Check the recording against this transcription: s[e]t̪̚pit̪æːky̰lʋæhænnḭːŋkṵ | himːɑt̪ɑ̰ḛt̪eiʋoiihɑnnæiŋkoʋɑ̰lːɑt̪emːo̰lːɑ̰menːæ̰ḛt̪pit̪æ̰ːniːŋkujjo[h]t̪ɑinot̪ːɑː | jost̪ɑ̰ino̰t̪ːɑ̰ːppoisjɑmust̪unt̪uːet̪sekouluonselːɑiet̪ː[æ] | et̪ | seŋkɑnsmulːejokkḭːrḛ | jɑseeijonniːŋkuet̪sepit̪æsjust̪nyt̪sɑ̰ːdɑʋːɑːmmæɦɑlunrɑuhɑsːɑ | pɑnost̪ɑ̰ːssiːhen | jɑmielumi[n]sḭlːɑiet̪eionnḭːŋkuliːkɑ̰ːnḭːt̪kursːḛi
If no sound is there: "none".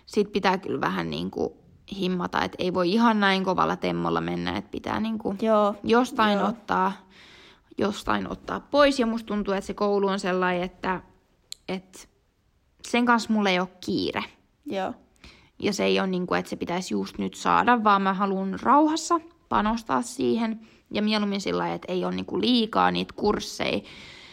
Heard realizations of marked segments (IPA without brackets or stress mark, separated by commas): i, s, æ, n